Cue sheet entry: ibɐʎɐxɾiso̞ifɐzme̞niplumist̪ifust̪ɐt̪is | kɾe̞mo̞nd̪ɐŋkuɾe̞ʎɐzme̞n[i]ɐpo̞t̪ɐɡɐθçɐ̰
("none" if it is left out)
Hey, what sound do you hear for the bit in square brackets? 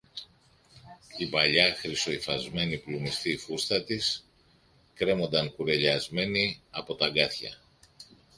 i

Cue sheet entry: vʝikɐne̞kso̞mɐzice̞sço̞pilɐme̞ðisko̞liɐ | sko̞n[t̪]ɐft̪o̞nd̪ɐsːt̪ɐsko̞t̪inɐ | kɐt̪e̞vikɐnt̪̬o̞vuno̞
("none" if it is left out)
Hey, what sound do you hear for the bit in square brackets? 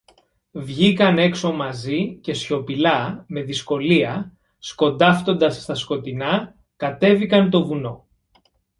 d̪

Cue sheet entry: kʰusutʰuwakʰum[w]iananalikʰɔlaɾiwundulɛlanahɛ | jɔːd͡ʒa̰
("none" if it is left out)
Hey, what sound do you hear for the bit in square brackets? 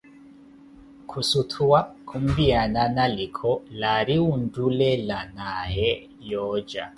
b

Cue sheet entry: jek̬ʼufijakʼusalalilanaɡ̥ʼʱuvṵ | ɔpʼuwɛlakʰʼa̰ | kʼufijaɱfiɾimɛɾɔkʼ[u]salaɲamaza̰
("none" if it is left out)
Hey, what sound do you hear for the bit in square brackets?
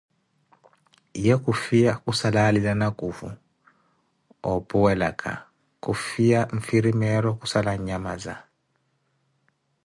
u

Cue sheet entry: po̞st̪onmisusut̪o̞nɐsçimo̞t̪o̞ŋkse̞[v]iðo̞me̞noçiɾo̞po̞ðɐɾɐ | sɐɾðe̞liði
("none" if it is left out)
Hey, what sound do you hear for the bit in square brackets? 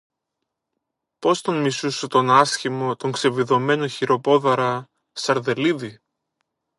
v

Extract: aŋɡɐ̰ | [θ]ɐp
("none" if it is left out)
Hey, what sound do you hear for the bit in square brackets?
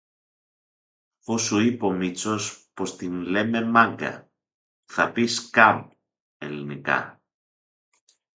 θ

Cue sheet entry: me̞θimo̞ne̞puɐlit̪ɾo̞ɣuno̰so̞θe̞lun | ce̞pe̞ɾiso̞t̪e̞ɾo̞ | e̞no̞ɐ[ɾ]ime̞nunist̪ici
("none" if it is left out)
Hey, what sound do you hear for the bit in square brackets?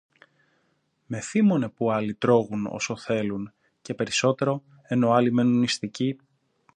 l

